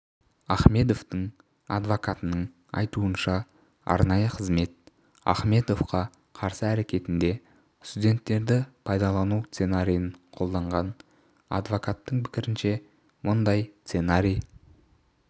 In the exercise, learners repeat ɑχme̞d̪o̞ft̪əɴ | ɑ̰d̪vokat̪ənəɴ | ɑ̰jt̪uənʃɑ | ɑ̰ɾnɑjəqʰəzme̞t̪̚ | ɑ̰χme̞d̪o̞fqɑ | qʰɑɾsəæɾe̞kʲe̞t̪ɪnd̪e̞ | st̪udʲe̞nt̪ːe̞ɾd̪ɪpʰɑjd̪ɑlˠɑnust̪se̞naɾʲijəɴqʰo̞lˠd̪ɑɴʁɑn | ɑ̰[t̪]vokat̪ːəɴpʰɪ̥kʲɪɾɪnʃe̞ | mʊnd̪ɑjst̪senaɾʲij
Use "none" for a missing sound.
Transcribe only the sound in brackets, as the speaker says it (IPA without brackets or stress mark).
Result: d̪